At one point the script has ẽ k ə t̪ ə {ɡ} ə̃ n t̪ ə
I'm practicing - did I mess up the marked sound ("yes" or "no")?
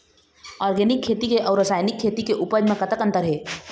yes